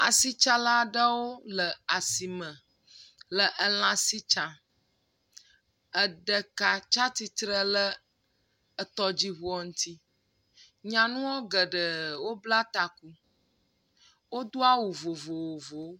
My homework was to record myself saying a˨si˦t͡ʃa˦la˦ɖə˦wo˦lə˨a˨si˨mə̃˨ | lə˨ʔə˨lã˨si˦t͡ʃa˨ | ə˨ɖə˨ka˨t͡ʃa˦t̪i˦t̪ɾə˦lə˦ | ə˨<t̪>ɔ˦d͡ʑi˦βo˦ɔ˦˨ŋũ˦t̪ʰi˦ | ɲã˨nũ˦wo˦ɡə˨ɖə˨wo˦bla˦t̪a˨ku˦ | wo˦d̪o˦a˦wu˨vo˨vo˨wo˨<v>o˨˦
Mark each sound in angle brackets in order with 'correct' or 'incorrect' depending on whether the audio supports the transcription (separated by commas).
correct, correct